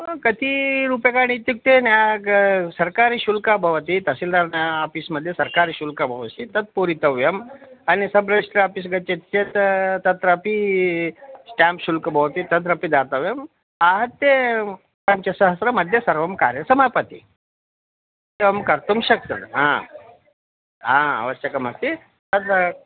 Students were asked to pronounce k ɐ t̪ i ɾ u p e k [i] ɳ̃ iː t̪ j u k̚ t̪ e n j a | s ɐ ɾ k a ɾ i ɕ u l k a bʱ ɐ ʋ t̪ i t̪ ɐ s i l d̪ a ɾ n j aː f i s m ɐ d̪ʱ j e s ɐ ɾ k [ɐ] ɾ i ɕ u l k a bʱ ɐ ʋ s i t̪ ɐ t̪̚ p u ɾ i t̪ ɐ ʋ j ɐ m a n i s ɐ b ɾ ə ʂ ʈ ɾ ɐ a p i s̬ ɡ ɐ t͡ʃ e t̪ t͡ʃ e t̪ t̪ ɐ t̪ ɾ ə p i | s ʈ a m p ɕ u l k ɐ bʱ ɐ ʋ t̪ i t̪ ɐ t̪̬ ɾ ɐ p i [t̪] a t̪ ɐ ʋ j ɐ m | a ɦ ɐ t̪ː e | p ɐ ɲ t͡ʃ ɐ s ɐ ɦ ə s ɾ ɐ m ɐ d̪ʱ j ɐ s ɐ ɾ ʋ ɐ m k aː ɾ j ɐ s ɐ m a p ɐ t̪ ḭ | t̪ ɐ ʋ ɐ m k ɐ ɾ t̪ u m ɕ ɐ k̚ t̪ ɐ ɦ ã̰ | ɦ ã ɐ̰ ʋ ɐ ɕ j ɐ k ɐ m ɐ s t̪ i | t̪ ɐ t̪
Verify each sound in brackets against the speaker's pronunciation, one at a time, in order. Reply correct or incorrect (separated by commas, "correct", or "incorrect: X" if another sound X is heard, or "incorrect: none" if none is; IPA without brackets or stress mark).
incorrect: a, incorrect: a, incorrect: d̪